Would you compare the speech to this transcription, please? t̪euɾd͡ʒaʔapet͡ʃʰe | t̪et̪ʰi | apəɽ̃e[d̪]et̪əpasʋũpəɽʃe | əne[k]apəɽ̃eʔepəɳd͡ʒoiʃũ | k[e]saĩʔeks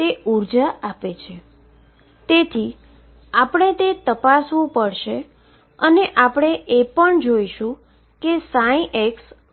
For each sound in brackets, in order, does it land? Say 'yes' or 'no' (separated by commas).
no, no, yes